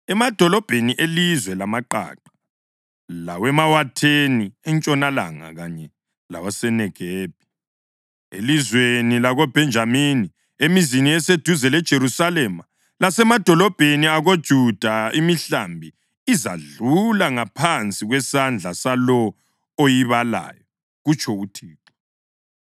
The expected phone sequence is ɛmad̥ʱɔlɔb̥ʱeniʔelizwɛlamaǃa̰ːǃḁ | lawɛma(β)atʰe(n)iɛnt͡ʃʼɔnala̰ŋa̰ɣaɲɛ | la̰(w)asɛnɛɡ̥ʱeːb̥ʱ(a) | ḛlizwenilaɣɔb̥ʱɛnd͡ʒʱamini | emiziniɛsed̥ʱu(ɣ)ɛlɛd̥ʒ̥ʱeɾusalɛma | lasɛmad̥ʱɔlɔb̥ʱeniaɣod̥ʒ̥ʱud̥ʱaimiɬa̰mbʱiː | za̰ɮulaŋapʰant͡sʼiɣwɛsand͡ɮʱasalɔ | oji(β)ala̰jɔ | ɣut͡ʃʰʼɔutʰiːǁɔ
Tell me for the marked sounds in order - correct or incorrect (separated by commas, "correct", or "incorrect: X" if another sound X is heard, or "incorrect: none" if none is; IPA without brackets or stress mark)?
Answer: incorrect: w, correct, correct, incorrect: i, incorrect: z, correct